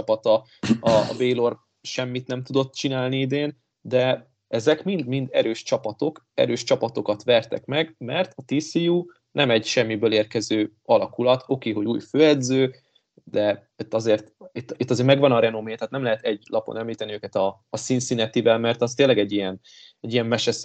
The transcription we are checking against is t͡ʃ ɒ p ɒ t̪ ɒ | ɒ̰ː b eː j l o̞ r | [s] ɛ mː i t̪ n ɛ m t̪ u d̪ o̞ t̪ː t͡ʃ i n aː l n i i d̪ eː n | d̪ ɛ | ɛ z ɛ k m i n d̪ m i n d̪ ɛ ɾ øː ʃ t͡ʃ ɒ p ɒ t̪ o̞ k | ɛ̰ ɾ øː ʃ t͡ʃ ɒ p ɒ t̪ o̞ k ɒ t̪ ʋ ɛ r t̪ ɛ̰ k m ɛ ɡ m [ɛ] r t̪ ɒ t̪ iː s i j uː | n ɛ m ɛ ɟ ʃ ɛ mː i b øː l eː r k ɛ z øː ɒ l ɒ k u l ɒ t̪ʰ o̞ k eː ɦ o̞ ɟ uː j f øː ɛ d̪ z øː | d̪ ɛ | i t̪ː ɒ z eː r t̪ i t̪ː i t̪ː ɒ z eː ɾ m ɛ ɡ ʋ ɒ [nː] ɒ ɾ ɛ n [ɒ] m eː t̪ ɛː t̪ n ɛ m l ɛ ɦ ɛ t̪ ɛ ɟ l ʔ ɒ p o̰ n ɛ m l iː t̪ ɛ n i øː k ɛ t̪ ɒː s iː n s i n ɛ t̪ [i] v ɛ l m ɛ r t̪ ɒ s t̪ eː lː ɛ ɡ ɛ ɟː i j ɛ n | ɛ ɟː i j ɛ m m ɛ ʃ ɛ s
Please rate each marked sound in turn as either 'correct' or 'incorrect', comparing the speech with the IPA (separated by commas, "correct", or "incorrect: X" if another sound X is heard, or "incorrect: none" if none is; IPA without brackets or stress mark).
incorrect: ʃ, correct, incorrect: n, incorrect: o, correct